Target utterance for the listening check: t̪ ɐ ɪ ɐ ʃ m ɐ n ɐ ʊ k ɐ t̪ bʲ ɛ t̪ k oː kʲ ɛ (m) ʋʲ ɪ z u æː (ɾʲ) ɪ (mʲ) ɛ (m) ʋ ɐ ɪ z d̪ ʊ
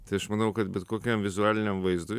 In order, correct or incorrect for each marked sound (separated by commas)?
correct, incorrect, incorrect, correct